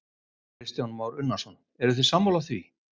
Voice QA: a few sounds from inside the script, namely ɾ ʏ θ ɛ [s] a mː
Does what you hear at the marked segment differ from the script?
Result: no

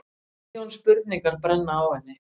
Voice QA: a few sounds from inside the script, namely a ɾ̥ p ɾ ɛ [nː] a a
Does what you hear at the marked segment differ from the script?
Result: no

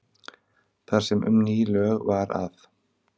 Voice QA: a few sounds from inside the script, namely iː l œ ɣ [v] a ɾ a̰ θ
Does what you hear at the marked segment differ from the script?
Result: no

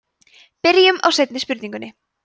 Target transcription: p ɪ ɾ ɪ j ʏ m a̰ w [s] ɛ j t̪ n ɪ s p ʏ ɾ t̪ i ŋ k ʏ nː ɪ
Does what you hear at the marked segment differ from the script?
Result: no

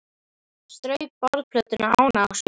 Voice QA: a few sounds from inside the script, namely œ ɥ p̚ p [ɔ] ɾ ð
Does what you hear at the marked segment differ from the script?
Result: no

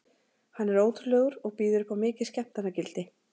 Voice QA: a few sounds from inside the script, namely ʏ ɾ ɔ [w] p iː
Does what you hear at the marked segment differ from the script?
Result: yes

